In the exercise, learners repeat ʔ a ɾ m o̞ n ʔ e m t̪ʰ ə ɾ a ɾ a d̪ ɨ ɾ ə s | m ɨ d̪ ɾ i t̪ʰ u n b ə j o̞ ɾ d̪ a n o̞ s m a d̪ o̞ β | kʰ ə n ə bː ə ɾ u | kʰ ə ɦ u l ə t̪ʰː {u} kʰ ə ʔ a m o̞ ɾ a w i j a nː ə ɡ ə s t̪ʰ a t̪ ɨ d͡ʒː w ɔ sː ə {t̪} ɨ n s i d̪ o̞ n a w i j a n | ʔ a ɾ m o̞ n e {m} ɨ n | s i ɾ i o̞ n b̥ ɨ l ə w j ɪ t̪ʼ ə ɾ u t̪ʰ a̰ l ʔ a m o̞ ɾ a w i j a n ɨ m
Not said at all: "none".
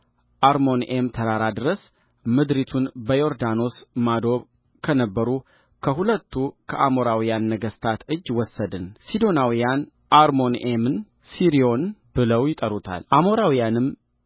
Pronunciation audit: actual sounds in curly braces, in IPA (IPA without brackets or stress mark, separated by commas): u, d̪, m